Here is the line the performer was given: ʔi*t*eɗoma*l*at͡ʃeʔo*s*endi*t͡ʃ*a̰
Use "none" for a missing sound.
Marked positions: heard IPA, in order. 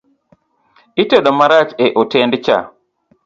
t, ɾ, t, t͡ʃ

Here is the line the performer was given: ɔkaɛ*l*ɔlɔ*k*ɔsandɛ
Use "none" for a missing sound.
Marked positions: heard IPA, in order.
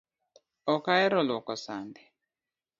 ɾ, k

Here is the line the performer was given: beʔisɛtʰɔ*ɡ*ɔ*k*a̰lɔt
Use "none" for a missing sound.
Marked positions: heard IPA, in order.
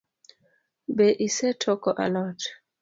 k, ʔ

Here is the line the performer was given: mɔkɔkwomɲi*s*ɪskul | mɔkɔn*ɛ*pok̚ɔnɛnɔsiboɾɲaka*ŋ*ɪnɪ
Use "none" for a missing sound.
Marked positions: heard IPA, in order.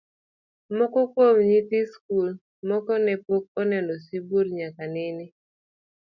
t, ɛ, n

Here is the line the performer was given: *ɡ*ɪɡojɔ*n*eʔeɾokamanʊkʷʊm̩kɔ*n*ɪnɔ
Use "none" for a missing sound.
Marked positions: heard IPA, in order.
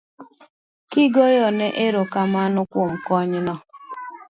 k, n, ɲ

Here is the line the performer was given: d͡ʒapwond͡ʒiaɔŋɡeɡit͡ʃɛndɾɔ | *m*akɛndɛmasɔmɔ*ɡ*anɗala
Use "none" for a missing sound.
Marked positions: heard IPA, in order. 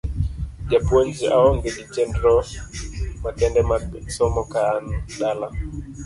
m, k

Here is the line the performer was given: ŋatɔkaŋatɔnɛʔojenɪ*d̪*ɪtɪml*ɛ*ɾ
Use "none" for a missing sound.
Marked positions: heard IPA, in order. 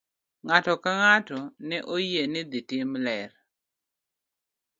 d̪, ɛ

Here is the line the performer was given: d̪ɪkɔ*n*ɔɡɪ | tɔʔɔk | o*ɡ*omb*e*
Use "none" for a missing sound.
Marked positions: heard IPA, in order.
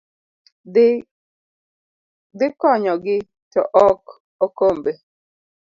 ɲ, k, e

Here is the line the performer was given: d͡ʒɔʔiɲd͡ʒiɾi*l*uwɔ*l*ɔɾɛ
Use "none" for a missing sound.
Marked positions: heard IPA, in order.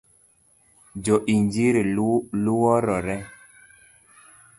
l, ɾ

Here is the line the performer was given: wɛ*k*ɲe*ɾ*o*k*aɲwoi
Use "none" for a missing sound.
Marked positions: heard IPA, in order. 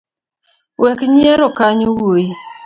k, ɾ, k

